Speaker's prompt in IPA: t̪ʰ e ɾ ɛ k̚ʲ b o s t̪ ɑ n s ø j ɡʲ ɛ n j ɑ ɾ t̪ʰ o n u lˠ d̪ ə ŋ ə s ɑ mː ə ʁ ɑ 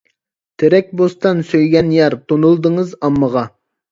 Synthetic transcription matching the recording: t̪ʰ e ɾ ɛ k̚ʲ b o s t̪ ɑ n s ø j ɡʲ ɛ n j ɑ ɾ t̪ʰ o n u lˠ d̪ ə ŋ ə z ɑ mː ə ʁ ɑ